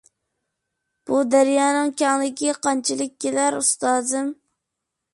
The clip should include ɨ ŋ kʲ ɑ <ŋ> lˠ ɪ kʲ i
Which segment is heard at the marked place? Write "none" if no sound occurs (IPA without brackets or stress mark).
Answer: ŋ